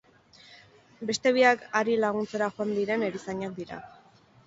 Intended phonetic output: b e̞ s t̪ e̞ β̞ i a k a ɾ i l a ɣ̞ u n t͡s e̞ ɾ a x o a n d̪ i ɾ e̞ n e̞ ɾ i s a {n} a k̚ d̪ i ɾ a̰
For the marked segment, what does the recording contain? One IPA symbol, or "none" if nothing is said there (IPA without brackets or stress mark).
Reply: ɲ